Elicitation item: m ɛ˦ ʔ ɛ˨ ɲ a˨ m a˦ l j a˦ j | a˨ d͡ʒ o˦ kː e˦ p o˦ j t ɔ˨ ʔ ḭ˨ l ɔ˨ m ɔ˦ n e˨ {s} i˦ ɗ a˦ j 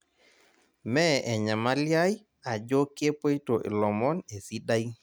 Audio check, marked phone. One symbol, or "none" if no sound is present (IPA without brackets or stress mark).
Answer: s